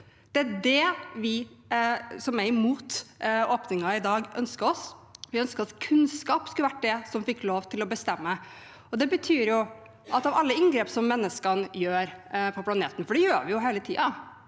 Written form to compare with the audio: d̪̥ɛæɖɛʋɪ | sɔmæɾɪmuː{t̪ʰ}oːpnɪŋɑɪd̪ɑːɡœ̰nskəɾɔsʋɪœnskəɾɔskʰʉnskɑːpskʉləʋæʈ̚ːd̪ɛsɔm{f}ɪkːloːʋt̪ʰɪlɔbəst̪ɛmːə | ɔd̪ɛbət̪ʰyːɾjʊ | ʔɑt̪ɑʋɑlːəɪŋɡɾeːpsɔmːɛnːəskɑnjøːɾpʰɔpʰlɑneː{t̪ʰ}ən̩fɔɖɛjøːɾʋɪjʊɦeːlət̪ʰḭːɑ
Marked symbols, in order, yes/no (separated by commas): no, yes, no